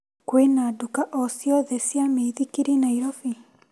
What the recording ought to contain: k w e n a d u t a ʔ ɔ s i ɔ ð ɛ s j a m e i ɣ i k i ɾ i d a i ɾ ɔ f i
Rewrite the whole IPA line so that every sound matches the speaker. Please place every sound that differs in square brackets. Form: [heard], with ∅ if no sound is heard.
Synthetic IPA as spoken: k w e n a d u [k] a ʔ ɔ s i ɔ ð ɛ s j a m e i [ð] i k i ɾ i [n] a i ɾ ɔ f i